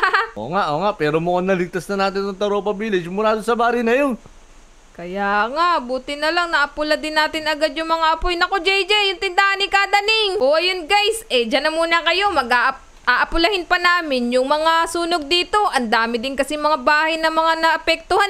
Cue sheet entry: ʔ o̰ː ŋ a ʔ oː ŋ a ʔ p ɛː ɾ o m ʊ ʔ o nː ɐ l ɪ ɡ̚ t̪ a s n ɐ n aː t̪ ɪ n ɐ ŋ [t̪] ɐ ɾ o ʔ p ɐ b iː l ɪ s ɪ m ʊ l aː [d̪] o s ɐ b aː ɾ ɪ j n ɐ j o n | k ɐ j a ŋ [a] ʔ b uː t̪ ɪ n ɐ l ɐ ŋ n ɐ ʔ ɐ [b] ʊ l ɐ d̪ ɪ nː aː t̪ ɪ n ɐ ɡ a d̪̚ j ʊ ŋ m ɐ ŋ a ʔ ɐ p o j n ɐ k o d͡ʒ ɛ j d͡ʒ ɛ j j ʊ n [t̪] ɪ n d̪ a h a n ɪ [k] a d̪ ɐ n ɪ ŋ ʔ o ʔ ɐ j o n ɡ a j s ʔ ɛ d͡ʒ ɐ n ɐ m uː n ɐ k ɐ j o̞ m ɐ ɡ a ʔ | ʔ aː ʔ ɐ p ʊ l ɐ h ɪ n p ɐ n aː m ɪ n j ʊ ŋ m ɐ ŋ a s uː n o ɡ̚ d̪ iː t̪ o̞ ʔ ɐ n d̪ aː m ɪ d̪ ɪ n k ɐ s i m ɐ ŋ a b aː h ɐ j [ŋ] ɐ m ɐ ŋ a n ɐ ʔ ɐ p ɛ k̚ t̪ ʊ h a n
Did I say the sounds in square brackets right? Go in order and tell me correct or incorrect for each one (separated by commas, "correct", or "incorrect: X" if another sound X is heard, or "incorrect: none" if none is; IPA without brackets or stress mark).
correct, correct, correct, incorrect: p, correct, correct, incorrect: n